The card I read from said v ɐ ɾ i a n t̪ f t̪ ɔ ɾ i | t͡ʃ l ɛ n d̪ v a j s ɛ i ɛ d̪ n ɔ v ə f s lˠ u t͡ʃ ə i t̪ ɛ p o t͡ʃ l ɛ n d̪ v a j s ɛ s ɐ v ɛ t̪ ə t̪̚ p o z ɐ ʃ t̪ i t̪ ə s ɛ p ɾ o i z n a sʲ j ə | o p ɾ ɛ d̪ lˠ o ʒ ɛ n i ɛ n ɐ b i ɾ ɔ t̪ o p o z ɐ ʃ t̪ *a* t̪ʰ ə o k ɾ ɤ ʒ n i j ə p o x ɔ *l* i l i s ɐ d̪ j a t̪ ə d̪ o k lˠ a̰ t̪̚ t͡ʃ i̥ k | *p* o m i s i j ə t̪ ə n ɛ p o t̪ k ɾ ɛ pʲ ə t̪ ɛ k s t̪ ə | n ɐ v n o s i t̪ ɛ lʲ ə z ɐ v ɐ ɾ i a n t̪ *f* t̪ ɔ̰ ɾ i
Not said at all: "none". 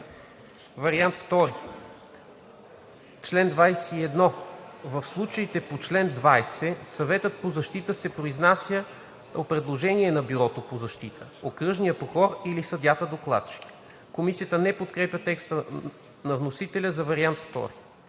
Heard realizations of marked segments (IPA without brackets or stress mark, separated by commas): i, ɾ, k, f